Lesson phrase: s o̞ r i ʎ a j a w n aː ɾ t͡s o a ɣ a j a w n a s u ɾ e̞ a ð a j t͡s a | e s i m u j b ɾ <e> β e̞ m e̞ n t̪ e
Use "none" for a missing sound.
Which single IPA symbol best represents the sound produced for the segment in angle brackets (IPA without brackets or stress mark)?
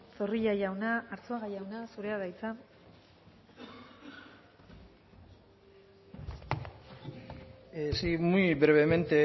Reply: e